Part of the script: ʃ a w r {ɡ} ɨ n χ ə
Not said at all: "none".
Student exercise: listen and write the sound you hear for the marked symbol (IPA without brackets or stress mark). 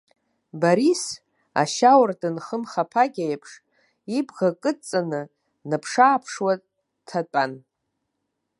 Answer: d